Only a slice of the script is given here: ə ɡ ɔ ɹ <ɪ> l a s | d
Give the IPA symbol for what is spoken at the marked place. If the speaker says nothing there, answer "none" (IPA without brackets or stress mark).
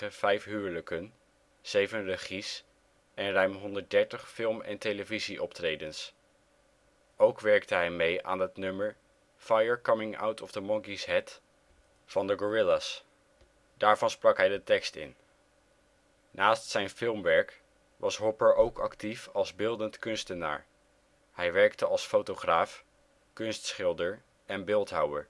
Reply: ɪ